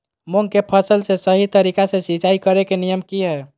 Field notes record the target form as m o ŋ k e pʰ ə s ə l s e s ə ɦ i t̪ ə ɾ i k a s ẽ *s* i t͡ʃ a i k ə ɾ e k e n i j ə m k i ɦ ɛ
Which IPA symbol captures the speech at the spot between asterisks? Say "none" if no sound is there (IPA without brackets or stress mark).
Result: s